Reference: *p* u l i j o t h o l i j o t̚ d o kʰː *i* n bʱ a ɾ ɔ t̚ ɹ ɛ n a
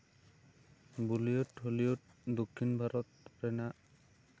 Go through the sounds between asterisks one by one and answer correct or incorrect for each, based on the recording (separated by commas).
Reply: incorrect, correct